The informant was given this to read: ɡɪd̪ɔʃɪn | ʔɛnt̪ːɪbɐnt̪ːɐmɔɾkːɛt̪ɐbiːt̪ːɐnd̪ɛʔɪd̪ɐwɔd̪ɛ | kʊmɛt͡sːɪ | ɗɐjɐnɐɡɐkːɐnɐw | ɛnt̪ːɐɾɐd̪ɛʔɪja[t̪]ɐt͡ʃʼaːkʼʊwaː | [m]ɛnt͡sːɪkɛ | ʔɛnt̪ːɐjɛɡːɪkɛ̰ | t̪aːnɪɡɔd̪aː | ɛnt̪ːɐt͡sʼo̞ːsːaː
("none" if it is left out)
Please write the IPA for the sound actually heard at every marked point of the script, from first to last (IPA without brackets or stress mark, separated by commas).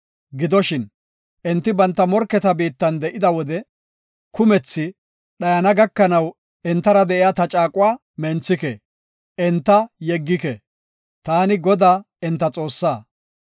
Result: t̪, m